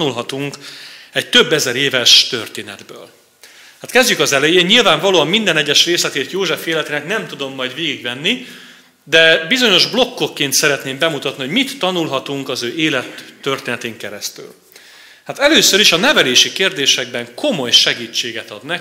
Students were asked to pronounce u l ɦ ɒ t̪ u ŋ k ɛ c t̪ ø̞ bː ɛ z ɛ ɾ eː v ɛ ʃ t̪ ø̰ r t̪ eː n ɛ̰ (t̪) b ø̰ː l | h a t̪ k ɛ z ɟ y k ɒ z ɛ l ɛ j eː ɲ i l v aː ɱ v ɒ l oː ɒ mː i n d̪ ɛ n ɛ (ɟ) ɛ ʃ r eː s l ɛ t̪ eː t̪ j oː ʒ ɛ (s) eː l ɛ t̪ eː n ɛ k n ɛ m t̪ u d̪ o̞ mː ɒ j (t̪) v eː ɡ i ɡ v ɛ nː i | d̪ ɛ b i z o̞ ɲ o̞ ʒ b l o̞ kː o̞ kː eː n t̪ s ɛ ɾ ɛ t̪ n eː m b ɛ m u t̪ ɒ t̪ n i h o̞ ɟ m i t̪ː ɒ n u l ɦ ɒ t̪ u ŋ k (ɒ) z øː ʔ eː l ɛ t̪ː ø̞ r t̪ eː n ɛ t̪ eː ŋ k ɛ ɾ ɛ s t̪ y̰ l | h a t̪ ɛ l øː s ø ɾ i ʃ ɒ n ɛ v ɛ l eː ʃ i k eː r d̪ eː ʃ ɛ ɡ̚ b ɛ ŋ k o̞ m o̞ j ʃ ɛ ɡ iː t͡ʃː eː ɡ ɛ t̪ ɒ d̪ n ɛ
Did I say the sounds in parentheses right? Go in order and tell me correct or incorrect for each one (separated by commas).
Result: incorrect, incorrect, incorrect, incorrect, correct